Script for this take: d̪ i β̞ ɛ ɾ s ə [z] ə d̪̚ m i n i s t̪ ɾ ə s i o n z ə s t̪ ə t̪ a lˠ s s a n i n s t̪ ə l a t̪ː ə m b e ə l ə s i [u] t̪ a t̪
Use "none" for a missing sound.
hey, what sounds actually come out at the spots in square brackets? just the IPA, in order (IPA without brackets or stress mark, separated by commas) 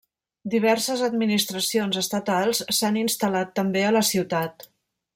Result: z, w